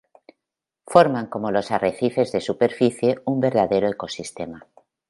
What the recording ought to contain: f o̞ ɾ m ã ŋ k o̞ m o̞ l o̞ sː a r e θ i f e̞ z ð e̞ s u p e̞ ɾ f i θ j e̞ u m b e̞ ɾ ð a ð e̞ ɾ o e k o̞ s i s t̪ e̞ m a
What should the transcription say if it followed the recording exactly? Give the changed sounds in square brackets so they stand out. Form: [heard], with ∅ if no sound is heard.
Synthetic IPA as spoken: f o̞ ɾ m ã ŋ k o̞ m o̞ l o̞ [s] a r e θ i f e̞ z ð e̞ s u p e̞ ɾ f i θ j e̞ u m b e̞ ɾ ð a ð e̞ ɾ o e k o̞ s i s t̪ e̞ m a